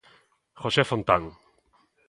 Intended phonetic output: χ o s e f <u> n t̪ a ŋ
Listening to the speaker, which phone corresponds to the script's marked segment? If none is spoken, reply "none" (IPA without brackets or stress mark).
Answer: o